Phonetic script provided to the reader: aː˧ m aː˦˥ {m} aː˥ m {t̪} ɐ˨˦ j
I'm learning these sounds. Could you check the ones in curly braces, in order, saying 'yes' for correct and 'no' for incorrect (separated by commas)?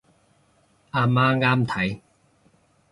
no, no